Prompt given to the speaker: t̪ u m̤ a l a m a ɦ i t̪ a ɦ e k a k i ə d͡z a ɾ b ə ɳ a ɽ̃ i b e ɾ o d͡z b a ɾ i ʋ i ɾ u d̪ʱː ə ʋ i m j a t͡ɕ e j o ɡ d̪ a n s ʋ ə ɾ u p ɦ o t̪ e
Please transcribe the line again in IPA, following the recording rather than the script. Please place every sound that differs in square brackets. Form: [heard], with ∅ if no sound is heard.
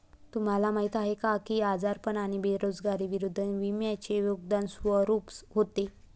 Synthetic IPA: t̪ u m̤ a l a m a ɦ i t̪ a ɦ e k a k i [a] d͡z a ɾ [p] ə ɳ a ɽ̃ i b e ɾ o d͡z [ɡ] a ɾ i ʋ i ɾ u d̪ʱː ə ʋ i m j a t͡ɕ e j o ɡ d̪ a n s ʋ ə ɾ u p ɦ o t̪ e